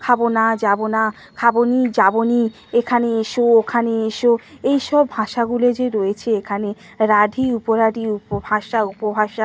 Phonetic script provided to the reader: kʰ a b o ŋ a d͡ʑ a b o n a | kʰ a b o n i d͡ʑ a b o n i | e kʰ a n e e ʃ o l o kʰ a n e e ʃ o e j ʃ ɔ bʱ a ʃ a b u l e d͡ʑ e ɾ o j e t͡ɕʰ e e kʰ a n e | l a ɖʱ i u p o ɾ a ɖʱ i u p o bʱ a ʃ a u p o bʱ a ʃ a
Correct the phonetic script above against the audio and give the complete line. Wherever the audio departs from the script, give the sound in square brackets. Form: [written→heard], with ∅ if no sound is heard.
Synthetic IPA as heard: kʰ a b o [ŋ→n] a d͡ʑ a b o n a | kʰ a b o n i d͡ʑ a b o n i | e kʰ a n e e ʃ o [l→∅] o kʰ a n e e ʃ o e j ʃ ɔ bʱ a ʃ a [b→ɡ] u l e d͡ʑ e ɾ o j e t͡ɕʰ e e kʰ a n e | [l→ɾ] a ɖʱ i u p o ɾ a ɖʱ i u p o bʱ a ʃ a u p o bʱ a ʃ a